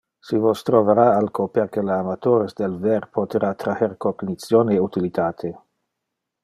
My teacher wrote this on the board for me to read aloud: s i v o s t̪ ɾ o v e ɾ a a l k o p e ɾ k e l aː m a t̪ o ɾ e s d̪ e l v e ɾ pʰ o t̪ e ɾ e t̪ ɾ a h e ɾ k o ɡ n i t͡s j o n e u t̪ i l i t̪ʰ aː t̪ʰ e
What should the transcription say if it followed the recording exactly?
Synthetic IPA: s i v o s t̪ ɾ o v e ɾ a a l k o p e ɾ k e l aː m a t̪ o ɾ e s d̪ e l v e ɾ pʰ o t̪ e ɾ a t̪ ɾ a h e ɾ k o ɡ n i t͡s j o n e u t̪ i l i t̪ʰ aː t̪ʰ e

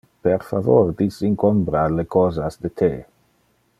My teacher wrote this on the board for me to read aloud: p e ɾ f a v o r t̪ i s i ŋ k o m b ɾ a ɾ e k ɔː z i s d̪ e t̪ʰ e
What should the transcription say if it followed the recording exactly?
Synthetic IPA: p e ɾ f a v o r d̪ i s i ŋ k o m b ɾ a l e k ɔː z a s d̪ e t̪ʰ e

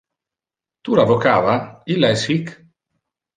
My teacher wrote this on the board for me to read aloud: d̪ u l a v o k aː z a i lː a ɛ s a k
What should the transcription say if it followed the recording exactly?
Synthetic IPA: t̪ u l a v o k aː v a i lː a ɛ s i k

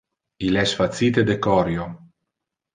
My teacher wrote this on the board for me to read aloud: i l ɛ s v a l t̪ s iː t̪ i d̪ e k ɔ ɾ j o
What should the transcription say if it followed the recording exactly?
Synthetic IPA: i l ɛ s f a t̪ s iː t̪ e d̪ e k ɔ ɾ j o

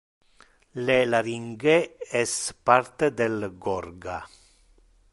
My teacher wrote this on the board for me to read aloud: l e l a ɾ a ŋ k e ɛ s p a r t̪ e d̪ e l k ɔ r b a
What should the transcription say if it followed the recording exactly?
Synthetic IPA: l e l a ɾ i ŋ ɡ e ɛ s p a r t̪ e d̪ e l ɡ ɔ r ɡ a

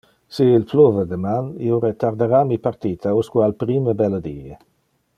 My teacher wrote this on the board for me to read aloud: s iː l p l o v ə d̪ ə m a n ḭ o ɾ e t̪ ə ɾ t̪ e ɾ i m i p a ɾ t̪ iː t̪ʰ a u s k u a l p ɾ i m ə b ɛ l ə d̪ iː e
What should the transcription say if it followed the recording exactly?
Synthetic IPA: s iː l p l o v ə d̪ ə m a n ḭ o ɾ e t̪ a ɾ d̪ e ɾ a m i p a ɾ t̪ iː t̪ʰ a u s k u a l p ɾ i m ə b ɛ l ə d̪ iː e

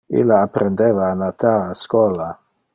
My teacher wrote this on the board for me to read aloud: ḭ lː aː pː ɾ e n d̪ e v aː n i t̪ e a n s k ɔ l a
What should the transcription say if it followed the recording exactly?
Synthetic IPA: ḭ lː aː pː ɾ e n d̪ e v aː n a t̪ a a s k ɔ l a

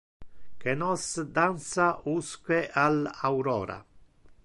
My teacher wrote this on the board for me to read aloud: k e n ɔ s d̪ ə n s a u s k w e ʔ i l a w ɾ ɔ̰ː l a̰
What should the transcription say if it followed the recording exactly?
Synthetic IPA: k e n ɔ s d̪ a n s a u s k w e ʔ a l a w ɾ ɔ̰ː ɾ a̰

